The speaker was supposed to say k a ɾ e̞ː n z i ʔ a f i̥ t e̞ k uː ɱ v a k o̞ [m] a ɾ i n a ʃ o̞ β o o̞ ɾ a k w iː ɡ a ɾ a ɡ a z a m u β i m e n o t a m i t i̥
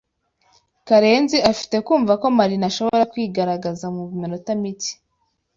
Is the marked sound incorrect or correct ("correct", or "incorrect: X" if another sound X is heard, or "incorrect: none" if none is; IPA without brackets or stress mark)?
correct